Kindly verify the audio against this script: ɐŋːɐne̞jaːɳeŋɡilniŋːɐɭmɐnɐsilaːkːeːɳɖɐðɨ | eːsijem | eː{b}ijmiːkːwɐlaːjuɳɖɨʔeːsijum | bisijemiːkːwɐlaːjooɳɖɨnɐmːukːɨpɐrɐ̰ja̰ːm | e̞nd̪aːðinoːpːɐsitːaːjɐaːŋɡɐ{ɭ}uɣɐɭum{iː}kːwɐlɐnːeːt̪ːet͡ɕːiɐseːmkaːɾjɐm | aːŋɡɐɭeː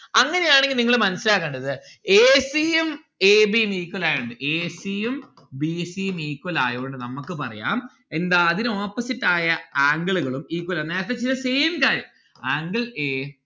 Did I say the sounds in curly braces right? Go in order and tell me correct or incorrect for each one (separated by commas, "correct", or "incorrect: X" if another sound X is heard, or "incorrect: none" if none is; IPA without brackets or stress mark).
correct, correct, correct